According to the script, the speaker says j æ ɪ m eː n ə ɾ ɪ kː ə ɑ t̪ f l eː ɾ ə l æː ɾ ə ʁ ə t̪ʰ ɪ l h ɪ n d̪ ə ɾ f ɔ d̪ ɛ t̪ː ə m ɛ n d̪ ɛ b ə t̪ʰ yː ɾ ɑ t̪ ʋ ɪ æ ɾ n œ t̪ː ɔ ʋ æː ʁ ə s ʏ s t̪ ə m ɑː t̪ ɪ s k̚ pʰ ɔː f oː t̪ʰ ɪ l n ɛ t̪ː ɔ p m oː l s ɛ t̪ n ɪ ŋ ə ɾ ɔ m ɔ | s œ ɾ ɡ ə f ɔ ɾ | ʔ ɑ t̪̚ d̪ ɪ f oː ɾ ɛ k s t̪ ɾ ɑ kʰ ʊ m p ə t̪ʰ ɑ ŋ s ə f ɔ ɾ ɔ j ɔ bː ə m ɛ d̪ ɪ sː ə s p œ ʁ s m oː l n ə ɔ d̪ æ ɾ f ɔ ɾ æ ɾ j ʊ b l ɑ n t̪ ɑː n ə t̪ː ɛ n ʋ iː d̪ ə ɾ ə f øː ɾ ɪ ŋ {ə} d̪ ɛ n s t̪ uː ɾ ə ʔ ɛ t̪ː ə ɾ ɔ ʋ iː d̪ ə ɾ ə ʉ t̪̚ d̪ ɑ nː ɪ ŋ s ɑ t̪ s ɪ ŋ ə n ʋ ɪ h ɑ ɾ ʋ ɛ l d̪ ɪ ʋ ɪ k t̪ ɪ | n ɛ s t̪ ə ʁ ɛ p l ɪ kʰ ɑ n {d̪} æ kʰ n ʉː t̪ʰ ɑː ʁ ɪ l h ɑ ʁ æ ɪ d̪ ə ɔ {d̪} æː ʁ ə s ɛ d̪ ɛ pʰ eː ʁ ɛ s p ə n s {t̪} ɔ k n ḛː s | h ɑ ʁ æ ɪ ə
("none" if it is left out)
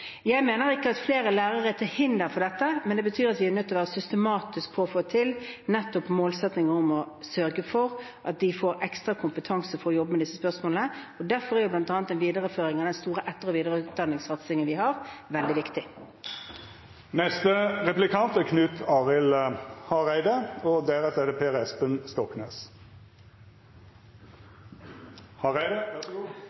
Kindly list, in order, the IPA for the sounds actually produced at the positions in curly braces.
ɑ, t̪, d̪, t̪

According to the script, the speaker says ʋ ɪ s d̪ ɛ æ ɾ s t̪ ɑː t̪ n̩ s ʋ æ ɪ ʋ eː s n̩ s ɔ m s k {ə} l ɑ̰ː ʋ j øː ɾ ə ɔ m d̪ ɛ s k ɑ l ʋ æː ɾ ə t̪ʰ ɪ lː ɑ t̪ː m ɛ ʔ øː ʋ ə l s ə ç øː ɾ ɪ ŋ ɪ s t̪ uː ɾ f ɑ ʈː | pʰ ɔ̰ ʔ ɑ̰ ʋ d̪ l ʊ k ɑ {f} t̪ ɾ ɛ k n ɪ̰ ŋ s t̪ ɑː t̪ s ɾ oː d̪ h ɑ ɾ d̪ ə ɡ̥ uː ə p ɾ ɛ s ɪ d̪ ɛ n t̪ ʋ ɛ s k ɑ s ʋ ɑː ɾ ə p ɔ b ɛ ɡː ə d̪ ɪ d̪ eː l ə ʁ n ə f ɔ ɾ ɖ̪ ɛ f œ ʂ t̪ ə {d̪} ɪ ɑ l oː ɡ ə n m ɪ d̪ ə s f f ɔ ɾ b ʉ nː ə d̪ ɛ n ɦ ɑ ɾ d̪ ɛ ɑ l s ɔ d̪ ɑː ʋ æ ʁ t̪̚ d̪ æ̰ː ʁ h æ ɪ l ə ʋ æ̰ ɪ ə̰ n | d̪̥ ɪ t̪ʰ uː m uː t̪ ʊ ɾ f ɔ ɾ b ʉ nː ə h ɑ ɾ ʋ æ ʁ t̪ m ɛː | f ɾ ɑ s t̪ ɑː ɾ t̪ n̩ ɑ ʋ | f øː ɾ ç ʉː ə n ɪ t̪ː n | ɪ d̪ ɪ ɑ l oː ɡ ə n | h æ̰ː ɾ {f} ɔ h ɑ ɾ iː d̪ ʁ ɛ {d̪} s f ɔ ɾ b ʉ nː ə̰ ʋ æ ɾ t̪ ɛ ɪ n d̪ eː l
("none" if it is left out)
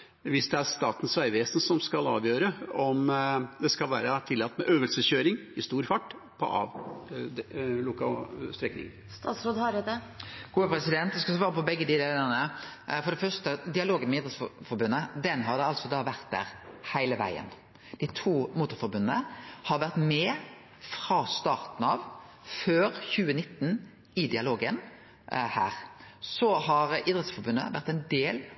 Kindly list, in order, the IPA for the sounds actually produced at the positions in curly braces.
ɑ, s, d̪, s, t̪

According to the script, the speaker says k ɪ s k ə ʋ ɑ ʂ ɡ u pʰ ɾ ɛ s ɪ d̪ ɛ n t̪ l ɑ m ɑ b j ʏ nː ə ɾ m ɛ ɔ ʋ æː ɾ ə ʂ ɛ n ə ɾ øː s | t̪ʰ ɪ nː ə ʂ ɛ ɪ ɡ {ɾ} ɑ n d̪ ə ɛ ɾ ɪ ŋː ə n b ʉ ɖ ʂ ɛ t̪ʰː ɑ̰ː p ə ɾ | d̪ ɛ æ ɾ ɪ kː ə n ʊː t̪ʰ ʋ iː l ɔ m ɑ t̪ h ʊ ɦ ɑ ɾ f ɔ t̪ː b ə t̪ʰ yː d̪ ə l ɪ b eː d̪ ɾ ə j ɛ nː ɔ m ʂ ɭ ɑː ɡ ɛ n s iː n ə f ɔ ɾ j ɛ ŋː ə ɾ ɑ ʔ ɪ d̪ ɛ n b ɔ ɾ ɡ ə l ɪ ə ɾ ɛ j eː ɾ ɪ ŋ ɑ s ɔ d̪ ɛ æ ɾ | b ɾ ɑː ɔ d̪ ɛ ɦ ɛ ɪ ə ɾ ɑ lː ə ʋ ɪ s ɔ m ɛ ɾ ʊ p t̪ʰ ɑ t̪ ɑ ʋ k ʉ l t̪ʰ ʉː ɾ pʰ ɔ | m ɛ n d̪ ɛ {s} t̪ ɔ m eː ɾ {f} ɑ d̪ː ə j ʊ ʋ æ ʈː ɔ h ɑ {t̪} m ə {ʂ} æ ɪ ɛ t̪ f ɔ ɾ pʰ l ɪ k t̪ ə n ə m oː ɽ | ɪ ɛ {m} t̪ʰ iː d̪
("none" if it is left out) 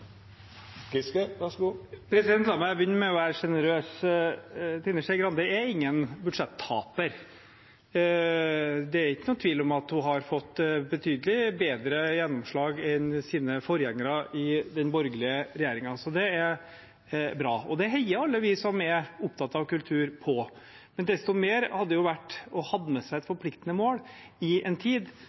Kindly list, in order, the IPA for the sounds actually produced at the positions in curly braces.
ɾ, s, h, d̪, s, n

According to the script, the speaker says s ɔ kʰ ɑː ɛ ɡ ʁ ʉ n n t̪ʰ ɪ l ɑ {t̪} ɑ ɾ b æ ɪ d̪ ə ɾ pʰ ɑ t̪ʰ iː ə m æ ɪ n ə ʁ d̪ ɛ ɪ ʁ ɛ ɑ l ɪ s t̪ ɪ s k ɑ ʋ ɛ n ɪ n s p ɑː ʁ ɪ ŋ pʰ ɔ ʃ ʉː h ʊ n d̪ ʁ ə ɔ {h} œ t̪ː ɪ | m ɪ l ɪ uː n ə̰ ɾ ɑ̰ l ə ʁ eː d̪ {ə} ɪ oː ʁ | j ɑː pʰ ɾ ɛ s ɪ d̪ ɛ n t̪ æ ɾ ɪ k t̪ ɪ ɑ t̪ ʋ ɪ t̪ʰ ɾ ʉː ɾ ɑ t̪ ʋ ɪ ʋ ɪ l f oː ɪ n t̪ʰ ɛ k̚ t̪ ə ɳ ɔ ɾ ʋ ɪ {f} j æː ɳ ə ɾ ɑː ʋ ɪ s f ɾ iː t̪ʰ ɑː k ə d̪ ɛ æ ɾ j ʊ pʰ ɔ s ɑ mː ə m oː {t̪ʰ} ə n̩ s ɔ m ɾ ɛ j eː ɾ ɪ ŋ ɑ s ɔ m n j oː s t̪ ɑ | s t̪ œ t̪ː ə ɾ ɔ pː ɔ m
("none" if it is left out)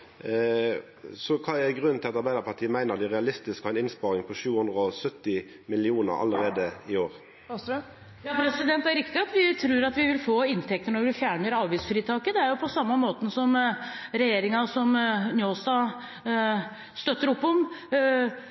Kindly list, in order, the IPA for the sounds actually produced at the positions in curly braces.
t̪, s, ə, f, t̪

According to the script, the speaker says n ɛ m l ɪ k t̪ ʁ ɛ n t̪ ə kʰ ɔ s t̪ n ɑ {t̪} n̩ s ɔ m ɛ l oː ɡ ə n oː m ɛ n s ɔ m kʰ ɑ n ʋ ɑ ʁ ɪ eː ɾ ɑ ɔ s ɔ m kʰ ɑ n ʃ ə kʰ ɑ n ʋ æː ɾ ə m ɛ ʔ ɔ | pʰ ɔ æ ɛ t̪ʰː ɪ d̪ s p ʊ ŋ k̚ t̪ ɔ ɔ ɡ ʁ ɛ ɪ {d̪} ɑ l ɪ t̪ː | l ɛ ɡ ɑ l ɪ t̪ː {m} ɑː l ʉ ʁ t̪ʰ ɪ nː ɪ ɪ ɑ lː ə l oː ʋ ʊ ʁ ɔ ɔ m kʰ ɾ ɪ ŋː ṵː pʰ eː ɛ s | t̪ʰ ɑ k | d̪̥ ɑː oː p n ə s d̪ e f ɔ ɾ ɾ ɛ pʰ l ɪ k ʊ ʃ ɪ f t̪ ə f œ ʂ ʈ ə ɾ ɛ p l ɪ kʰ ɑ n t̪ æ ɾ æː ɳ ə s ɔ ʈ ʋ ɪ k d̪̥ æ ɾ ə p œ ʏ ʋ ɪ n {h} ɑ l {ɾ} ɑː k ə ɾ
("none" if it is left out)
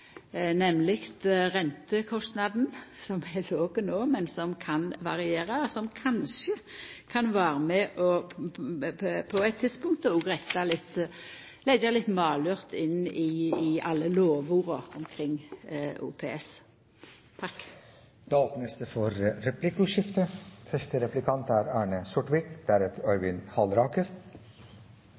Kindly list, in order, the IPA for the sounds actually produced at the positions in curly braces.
d̪, t̪, m, h, ɾ

